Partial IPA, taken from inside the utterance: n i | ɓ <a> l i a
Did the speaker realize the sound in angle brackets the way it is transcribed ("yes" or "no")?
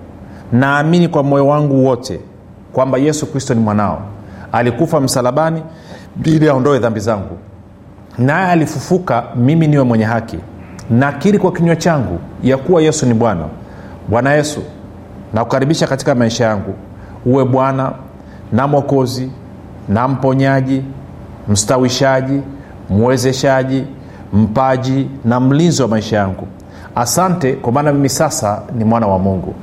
no